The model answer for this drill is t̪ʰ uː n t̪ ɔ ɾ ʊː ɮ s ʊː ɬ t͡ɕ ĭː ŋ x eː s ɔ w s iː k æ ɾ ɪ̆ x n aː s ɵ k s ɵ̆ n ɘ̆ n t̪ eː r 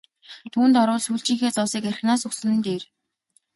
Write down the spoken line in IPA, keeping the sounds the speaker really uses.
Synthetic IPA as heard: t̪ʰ uː n t̪ ɔ ɾ ʊː ɮ s uː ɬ t͡ɕ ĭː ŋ x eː t͡s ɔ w s iː k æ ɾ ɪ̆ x n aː s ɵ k s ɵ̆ n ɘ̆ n t̪ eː r